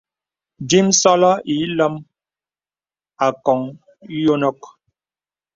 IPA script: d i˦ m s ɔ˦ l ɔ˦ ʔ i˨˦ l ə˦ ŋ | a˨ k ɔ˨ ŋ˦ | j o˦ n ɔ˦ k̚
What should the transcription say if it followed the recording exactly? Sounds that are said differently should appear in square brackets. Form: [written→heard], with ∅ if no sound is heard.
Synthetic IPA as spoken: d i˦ m s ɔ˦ l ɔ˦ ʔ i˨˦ l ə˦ [ŋ→m] | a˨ k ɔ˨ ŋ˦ | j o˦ n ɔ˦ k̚